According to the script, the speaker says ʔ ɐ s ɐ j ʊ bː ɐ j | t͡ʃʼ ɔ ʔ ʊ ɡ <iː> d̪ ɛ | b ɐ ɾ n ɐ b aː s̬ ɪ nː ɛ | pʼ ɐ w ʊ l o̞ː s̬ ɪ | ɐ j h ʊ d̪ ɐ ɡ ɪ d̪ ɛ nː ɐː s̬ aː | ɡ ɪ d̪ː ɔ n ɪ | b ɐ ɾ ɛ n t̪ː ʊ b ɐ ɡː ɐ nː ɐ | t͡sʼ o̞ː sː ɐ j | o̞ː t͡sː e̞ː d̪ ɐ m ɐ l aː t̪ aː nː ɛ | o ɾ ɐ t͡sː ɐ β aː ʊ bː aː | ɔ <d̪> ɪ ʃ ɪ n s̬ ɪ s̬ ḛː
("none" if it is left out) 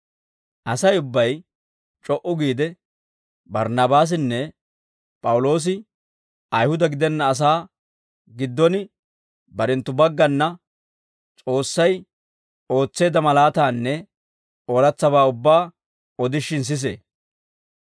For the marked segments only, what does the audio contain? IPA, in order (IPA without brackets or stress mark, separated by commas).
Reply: iː, d̪